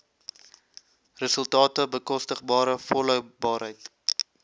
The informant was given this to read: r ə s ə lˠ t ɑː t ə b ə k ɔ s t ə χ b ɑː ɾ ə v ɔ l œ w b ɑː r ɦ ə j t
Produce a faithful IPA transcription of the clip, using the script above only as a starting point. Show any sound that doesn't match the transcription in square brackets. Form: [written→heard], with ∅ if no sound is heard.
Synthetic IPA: r ə s ə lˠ t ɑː t ə b ə k ɔ s t ə χ b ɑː ɾ ə [v→f] ɔ l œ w b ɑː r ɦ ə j t